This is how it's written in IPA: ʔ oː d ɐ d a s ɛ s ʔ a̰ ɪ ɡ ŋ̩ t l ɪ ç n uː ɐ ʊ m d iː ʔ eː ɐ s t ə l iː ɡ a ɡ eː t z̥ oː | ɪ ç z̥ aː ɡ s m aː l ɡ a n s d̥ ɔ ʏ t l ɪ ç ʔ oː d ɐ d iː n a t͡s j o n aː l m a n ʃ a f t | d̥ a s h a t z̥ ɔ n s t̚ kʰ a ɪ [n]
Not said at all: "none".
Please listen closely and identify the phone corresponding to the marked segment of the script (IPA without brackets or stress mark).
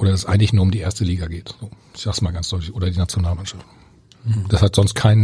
n